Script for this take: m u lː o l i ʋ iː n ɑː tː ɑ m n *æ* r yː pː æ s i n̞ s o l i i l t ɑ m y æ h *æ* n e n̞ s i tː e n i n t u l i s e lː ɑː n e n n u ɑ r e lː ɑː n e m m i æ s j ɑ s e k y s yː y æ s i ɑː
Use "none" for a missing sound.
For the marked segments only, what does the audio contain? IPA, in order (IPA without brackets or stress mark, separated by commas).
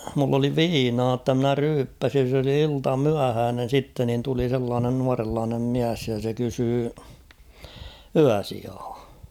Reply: æ, æː